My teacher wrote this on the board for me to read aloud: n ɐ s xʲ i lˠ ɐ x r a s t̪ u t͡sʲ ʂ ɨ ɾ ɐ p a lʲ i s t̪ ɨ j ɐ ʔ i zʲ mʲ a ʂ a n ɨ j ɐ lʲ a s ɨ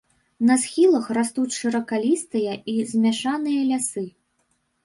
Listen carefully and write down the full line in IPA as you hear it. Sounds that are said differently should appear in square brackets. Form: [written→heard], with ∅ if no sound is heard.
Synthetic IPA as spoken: n ɐ s xʲ i lˠ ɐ x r a s t̪ u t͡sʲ ʂ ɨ ɾ ɐ [p→k] a lʲ i s t̪ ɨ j ɐ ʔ i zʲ mʲ a ʂ a n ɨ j ɐ lʲ a s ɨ